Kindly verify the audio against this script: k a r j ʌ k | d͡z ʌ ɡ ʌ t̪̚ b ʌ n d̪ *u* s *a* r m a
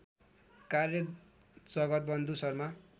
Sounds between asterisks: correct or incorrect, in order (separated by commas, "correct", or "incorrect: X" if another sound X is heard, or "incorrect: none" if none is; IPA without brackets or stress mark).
correct, incorrect: ʌ